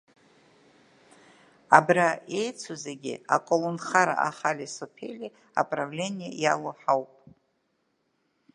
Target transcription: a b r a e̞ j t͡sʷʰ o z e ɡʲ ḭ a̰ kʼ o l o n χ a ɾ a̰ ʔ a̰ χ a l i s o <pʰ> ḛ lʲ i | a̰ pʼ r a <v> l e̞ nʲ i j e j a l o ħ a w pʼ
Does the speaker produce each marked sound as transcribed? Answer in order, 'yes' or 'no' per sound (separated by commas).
yes, yes